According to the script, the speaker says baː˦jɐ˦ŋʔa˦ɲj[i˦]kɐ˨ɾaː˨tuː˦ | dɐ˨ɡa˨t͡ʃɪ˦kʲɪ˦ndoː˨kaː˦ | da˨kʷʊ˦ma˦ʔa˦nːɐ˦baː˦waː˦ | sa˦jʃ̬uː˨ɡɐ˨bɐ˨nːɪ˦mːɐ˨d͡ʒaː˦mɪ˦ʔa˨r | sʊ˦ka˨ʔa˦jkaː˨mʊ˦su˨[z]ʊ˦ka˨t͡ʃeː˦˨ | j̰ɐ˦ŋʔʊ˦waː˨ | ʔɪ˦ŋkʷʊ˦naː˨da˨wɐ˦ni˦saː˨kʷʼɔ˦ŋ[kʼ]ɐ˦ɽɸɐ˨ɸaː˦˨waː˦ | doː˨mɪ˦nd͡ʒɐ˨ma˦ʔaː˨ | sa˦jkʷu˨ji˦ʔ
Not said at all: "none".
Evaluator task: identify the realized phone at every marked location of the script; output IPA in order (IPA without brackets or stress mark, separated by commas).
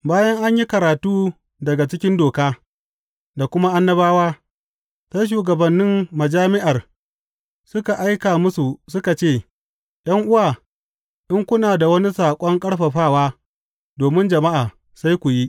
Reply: i˦, s, kʼ